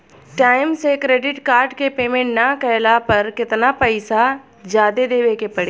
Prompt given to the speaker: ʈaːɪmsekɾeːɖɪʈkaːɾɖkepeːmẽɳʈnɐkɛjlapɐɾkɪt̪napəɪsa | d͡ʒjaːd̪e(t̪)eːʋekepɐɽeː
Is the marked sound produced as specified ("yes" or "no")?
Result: no